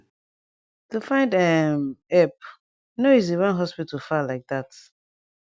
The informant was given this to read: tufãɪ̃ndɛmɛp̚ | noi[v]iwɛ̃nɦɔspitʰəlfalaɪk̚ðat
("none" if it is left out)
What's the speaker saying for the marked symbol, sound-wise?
z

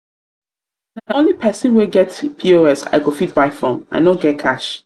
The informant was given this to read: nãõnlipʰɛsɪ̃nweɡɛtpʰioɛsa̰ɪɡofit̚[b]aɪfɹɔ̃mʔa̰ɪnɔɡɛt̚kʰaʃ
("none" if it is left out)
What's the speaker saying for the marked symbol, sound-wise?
b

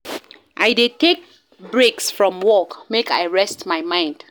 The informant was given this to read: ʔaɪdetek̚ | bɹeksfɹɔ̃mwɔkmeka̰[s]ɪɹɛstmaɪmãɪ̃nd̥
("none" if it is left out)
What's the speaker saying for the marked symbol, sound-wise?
none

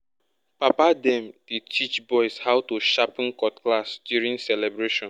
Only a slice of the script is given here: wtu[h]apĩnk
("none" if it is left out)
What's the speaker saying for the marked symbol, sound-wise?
ʃ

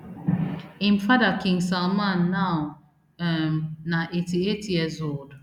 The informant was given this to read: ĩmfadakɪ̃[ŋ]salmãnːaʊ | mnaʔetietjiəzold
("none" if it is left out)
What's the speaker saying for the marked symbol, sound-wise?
ŋ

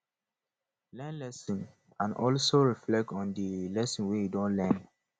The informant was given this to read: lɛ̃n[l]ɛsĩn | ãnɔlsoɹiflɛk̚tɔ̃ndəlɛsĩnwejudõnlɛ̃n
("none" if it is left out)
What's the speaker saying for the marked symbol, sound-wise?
l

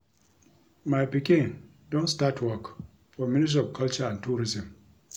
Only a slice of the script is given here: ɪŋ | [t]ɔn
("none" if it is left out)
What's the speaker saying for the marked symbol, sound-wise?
d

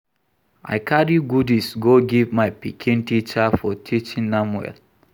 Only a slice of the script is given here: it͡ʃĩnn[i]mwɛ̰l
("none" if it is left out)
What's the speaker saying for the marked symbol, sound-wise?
a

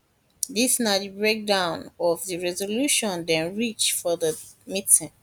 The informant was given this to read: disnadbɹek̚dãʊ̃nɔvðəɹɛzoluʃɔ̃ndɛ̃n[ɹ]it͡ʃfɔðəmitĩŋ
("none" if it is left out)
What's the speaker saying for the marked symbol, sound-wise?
ɹ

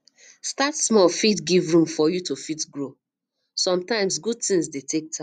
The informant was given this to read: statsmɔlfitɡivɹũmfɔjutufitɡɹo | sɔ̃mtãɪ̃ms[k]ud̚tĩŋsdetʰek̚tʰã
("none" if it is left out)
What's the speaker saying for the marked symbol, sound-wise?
ɡ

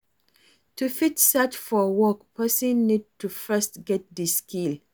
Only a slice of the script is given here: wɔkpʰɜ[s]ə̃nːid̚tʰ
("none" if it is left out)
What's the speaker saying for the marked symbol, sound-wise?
s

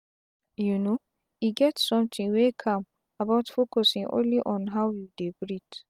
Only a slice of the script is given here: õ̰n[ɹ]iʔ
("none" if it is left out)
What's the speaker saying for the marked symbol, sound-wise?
l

